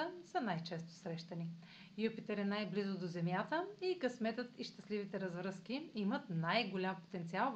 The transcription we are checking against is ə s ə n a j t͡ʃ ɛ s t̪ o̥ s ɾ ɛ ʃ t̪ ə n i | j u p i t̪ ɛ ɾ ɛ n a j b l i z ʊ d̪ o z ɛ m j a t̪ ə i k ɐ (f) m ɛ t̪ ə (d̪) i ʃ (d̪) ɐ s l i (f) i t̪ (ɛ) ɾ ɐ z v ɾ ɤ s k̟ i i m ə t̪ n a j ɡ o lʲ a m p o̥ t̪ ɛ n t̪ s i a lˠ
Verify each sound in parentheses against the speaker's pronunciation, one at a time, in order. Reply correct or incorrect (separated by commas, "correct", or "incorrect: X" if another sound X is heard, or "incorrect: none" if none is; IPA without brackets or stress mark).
incorrect: s, incorrect: t̪, incorrect: t̪, incorrect: v, correct